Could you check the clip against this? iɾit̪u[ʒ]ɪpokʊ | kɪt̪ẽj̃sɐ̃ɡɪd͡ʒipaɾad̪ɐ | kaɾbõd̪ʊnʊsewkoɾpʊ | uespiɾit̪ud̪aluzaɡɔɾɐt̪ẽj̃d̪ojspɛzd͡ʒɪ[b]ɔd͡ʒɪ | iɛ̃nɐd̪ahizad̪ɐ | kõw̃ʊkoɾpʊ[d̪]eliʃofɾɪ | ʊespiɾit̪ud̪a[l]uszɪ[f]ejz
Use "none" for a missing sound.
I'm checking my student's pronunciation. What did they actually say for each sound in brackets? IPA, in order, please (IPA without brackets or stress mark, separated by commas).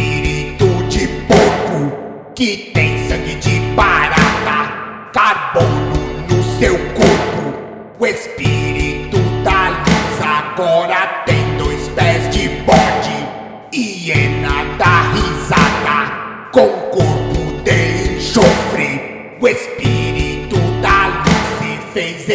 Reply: d͡ʒ, b, d̪, l, f